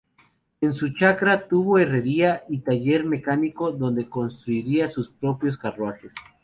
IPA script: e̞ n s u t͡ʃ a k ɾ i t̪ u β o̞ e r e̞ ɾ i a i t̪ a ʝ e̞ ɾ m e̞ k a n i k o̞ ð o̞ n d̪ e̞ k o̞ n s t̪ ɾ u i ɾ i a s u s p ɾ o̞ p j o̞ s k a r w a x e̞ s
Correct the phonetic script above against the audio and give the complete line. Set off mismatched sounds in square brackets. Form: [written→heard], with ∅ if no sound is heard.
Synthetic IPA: e̞ n s u t͡ʃ a k ɾ [i→a] t̪ u β o̞ e r e̞ ɾ i a i t̪ a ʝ e̞ ɾ m e̞ k a n i k o̞ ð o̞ n d̪ e̞ k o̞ n s t̪ ɾ u i ɾ i a s u s p ɾ o̞ p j o̞ s k a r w a x e̞ s